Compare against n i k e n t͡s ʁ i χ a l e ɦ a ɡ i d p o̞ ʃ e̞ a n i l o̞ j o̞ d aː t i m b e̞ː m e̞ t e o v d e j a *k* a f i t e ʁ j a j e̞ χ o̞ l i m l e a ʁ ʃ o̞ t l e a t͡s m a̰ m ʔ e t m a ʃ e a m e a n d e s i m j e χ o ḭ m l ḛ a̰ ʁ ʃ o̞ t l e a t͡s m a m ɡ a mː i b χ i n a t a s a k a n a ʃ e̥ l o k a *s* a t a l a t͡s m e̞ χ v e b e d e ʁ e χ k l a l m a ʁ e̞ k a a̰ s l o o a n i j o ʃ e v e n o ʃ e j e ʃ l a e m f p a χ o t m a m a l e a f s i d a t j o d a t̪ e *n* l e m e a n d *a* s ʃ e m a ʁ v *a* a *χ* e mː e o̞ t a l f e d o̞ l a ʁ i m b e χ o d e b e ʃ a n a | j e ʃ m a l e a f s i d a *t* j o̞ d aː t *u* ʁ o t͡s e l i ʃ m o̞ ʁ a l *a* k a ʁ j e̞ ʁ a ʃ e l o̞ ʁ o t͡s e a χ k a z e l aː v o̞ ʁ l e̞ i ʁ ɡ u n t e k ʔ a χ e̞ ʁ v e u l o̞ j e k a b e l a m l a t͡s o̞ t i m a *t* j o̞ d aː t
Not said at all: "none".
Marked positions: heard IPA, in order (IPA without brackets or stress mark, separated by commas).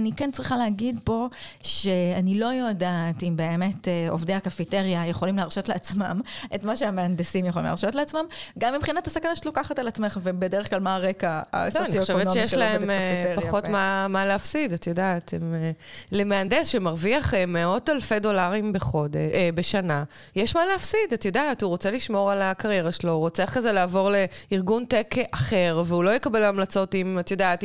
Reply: k, χ, m, e, i, χ, t, u, a, t